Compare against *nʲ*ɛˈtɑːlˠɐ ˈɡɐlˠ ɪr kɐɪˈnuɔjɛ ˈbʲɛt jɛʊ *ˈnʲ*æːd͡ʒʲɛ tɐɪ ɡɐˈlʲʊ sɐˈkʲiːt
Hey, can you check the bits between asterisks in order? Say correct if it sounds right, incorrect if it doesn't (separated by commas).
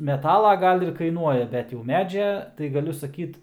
incorrect, incorrect